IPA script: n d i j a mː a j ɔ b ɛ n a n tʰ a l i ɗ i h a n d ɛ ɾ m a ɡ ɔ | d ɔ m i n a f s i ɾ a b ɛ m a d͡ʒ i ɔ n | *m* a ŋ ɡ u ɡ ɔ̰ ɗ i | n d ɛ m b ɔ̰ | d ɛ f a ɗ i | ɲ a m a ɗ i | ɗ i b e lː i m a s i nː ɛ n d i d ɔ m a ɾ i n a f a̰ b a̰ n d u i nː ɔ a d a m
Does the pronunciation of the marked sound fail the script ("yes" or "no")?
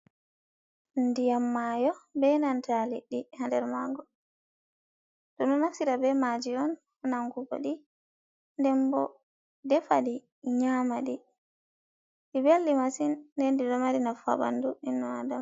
yes